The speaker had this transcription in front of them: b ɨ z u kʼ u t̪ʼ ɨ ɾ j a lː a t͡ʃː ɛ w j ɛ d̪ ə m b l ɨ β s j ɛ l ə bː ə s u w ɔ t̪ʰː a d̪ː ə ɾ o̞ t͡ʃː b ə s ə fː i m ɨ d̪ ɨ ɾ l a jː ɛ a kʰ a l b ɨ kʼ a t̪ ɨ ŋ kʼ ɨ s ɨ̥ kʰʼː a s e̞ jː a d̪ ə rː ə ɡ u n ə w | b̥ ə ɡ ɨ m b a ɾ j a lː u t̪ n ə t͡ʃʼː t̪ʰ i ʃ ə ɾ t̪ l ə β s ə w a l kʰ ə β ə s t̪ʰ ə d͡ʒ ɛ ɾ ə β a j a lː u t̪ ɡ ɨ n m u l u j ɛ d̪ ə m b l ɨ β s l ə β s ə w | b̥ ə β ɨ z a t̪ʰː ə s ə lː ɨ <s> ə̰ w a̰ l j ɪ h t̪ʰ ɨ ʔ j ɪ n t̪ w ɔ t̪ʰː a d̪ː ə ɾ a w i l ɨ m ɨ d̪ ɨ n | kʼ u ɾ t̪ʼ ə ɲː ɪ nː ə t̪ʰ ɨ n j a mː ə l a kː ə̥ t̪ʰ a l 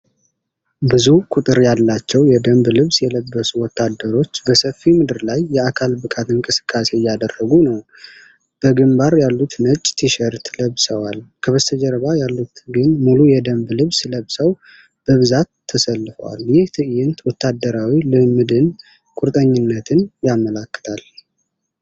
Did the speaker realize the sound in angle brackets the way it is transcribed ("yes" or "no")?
no